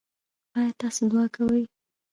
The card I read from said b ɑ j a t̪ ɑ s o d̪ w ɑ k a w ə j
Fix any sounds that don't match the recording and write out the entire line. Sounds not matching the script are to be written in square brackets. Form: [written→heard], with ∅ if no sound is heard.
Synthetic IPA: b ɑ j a t̪ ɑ s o d̪ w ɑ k a w ə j